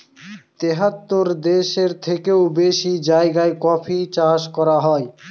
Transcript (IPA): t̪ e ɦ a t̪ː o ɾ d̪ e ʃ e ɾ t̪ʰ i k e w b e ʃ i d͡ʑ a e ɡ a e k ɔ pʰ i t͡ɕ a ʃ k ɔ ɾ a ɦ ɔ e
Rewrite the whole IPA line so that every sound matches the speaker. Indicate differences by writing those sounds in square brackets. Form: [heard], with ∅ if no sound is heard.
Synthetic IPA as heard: t̪ e ɦ a t̪ː o ɾ d̪ e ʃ e ɾ t̪ʰ [e] k e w b e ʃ i d͡ʑ a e ɡ a e k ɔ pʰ i t͡ɕ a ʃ k ɔ ɾ a ɦ ɔ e